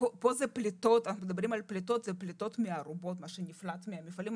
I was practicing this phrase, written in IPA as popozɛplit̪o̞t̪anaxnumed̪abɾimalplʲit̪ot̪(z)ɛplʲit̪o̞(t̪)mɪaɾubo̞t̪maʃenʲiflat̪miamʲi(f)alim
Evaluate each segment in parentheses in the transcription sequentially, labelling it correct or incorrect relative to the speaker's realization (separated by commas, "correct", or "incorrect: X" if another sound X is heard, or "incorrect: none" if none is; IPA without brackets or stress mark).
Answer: correct, correct, correct